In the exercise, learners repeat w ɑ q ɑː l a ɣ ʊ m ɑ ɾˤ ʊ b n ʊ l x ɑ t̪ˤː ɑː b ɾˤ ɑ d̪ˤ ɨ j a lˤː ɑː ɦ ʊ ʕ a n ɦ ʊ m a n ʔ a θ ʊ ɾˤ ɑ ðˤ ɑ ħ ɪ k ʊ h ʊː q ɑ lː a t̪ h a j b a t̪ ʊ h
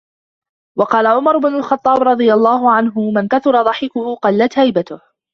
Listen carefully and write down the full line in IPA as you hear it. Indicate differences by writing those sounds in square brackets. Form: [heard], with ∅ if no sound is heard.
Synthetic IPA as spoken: w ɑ q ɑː l a [ʕ] ʊ m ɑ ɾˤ ʊ b n ʊ l x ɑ t̪ˤː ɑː b ɾˤ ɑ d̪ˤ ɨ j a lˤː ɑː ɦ ʊ ʕ a n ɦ ʊ m a n [k] a θ ʊ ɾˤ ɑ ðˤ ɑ ħ ɪ k ʊ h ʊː q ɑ lː a t̪ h a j b a t̪ ʊ h